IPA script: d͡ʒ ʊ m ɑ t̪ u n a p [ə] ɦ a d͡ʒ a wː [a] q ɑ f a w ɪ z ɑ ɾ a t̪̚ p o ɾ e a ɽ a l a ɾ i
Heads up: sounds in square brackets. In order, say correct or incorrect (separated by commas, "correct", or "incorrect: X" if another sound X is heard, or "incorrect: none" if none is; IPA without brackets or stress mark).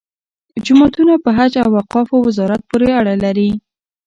correct, correct